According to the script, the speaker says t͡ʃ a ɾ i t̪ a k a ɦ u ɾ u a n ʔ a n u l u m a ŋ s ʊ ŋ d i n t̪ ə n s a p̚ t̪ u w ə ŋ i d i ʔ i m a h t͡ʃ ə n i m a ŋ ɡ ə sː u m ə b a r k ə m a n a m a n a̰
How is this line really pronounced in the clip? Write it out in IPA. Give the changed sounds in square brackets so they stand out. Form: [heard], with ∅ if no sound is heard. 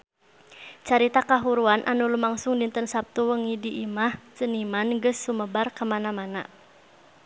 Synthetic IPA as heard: t͡ʃ a ɾ i t̪ a k a ɦ u ɾ u a n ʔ a n u l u m a ŋ s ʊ ŋ d i n t̪ ə n s a p̚ t̪ u w ə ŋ i d i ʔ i m a h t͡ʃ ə n i m a [n] ɡ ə sː u m ə b a r k ə m a n a m a n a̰